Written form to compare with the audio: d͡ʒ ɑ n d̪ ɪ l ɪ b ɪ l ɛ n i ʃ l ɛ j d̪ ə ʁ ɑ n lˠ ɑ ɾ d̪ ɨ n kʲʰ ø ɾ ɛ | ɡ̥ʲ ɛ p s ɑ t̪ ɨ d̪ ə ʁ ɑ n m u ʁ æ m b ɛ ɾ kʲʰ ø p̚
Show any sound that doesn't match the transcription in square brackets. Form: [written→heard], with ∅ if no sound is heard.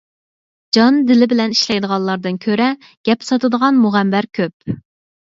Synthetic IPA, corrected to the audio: d͡ʒ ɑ n d̪ ɪ l ɪ b ɪ l ɛ n i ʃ l ɛ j d̪ ə ʁ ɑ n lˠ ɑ ɾ d̪ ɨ n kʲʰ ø ɾ ɛ | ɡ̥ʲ ɛ p s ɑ t̪ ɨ d̪ ə ʁ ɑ n m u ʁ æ m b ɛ ɾ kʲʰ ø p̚